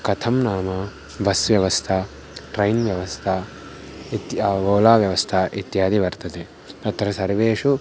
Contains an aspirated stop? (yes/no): yes